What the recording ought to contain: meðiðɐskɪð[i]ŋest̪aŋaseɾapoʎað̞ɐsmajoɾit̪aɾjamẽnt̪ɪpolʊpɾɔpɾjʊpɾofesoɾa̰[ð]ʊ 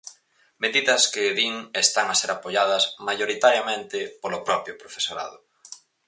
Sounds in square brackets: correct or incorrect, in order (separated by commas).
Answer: correct, correct